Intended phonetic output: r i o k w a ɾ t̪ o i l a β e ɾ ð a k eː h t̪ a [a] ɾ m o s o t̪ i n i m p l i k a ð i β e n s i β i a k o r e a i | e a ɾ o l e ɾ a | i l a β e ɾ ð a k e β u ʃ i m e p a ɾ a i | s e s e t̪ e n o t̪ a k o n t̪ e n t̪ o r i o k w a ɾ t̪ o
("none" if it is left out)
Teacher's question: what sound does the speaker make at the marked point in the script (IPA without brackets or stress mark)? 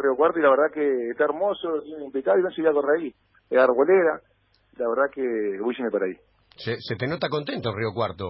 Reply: e